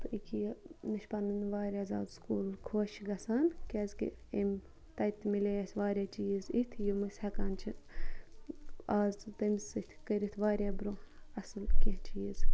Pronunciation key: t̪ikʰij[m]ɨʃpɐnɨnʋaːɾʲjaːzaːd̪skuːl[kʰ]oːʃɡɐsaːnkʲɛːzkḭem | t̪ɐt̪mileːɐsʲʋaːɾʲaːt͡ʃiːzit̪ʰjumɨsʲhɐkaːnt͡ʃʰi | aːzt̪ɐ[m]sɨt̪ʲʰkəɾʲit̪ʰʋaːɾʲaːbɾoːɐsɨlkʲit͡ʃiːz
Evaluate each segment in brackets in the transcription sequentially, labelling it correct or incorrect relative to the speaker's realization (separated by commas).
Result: incorrect, correct, correct